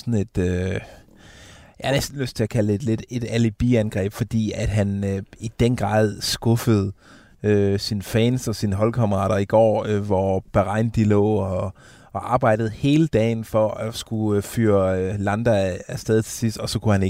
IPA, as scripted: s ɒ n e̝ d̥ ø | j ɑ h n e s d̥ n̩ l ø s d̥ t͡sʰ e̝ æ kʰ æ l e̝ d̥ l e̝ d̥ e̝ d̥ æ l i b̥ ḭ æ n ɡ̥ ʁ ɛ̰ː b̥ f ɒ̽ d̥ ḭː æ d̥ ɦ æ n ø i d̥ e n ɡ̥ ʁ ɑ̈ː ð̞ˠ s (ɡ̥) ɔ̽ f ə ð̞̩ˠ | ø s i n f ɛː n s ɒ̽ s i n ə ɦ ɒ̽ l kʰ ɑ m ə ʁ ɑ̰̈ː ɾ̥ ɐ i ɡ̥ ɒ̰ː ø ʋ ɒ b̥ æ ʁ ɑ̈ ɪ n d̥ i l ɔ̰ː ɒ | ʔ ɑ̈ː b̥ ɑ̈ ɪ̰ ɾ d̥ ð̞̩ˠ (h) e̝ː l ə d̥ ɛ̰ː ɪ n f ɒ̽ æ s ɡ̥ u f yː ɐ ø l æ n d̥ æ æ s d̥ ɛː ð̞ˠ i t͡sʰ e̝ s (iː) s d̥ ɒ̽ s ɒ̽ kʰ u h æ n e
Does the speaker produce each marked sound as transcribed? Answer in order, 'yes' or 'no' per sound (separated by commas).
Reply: yes, yes, no